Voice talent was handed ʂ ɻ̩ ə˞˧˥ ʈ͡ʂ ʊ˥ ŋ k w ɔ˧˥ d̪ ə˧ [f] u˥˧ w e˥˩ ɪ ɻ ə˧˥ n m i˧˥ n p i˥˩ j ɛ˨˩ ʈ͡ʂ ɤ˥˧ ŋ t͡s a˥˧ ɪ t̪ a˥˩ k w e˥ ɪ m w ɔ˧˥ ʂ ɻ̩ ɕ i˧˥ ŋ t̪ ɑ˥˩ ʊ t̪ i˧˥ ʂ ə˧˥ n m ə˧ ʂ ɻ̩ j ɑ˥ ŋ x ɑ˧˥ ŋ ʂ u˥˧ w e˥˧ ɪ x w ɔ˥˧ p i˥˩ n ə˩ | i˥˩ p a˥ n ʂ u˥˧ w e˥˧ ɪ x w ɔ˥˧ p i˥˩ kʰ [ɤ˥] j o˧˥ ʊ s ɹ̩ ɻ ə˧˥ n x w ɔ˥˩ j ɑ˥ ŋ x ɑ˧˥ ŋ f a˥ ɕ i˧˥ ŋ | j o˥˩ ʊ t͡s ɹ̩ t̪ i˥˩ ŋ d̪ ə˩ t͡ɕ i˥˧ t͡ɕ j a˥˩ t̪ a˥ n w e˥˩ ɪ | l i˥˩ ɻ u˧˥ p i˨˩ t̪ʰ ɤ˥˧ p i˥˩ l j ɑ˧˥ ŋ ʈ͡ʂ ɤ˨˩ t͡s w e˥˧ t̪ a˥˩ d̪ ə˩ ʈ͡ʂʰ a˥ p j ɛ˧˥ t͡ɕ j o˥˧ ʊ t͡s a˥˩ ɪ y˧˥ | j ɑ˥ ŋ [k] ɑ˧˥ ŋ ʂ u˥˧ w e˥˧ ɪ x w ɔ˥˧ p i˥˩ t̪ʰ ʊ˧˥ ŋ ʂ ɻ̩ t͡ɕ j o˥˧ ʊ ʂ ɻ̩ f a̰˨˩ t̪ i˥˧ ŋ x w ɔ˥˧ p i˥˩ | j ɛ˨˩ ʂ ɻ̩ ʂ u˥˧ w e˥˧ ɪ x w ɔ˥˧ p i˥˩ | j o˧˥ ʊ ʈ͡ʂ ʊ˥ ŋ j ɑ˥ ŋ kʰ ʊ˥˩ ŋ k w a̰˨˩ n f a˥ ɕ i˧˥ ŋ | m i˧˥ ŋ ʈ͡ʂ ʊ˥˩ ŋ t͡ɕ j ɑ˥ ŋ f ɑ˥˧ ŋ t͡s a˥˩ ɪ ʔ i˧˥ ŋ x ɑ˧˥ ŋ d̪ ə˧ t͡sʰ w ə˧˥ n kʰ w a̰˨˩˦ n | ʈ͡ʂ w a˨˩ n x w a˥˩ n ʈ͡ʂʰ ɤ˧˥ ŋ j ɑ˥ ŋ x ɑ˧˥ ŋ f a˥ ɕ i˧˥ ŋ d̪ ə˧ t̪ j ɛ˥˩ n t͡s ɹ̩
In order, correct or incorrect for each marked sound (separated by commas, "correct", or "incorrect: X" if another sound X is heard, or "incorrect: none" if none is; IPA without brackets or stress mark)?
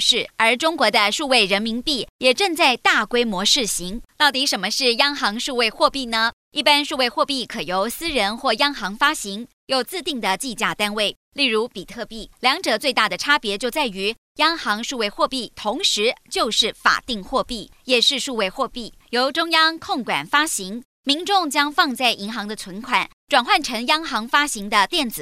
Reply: incorrect: ʂ, incorrect: ɤ˨˩, incorrect: x